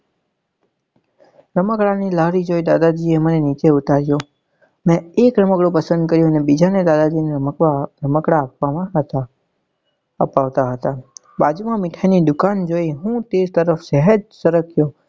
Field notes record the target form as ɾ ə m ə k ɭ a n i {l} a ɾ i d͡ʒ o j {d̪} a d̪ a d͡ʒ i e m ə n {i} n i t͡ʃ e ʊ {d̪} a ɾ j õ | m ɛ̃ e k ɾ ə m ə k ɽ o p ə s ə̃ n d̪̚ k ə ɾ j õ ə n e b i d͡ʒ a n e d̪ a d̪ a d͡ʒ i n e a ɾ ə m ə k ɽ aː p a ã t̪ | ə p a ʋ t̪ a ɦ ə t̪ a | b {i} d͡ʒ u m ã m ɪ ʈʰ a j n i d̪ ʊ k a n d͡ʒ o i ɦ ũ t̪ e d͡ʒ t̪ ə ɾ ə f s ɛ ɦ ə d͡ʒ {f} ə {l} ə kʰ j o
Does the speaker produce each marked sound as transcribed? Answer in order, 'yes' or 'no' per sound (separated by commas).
yes, yes, no, no, no, no, no